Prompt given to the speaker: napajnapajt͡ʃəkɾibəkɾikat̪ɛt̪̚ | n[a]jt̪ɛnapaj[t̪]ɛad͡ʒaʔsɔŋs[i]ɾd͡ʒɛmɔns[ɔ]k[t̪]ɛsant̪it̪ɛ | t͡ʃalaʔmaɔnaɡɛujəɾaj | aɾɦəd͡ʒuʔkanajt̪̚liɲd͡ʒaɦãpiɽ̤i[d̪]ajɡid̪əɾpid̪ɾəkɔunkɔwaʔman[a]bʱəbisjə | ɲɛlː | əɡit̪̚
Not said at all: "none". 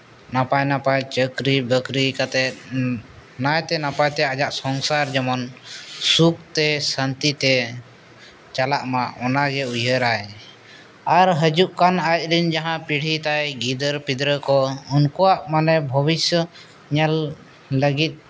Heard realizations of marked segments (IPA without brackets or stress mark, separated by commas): a, t̪, a, u, t̪, t̪, ɛ